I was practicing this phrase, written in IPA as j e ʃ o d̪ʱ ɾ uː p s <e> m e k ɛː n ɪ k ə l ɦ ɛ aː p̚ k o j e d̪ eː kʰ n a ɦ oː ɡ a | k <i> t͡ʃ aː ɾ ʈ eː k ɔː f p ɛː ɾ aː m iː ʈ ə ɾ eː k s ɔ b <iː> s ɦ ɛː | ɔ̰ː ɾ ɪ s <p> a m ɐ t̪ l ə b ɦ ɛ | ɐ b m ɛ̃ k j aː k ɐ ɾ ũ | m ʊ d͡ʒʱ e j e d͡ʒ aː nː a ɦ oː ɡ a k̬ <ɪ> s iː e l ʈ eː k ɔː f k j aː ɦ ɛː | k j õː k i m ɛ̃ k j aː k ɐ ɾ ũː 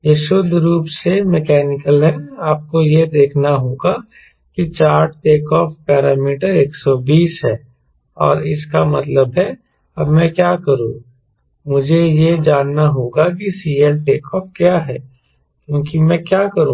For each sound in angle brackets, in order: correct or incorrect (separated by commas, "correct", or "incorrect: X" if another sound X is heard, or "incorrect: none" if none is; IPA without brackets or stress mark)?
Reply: correct, correct, correct, incorrect: k, incorrect: i